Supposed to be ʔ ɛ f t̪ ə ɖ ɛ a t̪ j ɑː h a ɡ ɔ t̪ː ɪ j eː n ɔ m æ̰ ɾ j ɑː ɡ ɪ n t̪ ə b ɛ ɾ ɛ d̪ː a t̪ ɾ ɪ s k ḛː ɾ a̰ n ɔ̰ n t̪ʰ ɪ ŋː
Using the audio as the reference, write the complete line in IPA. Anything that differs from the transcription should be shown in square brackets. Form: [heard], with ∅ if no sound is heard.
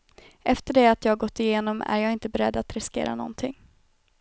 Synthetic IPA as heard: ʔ ɛ f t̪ ə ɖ ɛ a t̪ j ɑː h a ɡ ɔ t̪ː ɪ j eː n ɔ m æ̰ ɾ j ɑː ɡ ɪ n t̪ ə b ɛ ɾ ɛ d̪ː a t̪ ɾ ɪ s k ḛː ɾ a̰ n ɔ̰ n t̪ʰ ɪ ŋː